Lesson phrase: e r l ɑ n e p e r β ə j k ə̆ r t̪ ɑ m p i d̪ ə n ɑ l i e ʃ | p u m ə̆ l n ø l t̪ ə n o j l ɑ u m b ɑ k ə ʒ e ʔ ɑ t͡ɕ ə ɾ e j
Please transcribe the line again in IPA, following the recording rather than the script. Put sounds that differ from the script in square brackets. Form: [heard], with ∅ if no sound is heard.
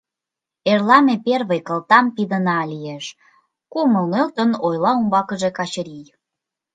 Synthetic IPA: e r l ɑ [m] e p e r β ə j k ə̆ [l] t̪ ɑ m p i d̪ ə n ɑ l i e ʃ | [k] u m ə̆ l n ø l t̪ ə n o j l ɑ u m b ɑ k ə ʒ e [k] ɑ t͡ɕ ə ɾ [i] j